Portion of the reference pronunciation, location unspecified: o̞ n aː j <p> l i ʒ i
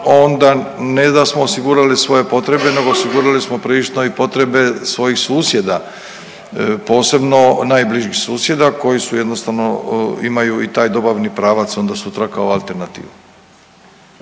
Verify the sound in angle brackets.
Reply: incorrect: b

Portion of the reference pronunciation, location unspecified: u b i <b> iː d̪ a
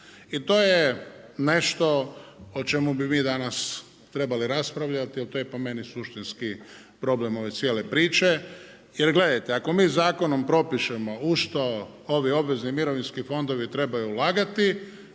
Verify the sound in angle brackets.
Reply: incorrect: m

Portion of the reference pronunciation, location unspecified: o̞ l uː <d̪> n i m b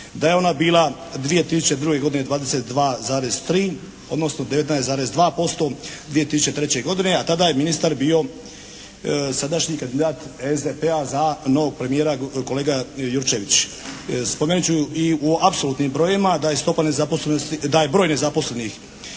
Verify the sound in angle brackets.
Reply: incorrect: t̪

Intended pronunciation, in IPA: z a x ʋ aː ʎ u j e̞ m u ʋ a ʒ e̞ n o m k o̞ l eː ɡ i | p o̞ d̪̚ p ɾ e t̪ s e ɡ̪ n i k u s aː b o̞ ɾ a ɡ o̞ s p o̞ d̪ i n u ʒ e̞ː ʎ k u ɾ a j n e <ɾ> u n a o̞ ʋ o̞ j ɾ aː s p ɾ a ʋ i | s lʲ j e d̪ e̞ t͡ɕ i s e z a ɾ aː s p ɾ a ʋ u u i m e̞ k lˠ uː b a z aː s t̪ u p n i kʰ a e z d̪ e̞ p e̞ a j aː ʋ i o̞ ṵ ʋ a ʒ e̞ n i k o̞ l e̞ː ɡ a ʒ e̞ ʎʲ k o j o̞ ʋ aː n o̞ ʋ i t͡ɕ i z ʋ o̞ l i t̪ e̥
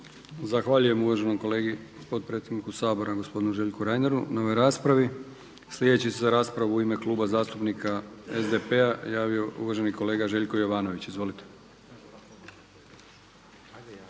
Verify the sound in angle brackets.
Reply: correct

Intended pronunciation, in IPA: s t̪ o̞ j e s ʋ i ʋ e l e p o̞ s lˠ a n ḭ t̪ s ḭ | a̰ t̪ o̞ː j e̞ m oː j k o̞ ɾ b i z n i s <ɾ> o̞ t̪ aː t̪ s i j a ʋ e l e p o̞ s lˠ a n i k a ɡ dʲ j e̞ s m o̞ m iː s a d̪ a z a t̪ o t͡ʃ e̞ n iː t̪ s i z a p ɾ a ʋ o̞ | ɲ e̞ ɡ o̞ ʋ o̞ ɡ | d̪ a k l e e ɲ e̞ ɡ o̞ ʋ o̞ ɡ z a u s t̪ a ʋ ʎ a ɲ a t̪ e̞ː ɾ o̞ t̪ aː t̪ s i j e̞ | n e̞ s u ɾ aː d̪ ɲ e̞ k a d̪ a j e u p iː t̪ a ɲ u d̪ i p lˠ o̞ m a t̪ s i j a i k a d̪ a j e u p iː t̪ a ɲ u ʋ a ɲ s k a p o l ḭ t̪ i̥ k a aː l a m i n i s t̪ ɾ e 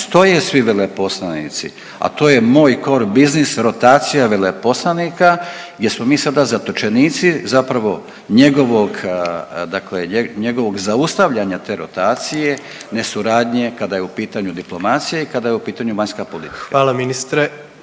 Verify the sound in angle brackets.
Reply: correct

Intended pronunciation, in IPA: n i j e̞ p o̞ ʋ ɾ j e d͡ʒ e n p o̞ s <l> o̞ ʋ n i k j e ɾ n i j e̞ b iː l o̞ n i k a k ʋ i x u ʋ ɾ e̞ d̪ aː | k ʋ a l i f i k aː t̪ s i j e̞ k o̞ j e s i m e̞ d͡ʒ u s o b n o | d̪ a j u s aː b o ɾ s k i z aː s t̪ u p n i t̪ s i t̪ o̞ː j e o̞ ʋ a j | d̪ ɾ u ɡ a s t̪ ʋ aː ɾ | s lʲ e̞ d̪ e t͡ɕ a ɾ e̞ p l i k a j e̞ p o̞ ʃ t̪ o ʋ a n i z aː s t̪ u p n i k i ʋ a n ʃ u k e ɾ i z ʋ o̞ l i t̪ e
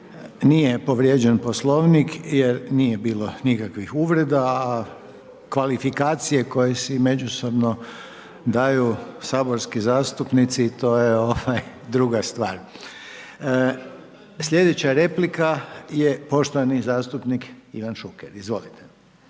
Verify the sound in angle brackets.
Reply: correct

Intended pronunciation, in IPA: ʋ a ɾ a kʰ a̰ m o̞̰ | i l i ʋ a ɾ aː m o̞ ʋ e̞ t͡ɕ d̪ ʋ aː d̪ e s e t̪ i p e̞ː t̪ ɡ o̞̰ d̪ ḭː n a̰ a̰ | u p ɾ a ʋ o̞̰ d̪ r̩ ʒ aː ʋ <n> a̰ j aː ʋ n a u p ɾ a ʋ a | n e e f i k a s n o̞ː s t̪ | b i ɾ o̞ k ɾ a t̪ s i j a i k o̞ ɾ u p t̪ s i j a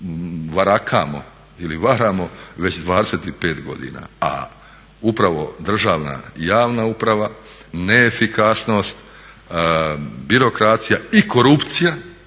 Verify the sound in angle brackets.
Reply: correct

